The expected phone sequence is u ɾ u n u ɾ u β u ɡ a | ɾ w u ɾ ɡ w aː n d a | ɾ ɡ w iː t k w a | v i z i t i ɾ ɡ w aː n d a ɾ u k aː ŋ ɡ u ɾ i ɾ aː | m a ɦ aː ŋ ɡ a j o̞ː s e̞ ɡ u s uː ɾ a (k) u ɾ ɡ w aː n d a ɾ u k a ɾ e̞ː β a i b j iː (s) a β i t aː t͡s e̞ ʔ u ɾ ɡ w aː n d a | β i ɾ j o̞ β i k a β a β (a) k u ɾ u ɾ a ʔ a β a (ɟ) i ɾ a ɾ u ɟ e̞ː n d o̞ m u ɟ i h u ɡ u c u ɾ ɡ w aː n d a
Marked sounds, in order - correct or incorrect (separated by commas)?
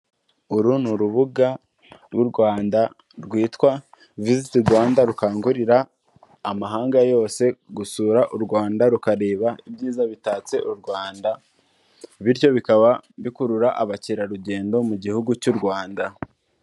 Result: incorrect, incorrect, incorrect, incorrect